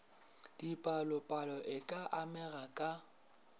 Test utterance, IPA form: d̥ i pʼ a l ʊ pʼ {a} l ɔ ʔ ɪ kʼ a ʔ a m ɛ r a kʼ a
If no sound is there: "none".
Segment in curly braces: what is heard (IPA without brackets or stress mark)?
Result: a